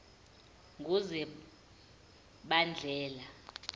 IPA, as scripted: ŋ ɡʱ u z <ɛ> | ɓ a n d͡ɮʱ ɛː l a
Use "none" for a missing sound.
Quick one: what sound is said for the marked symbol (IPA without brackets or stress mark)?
ɛ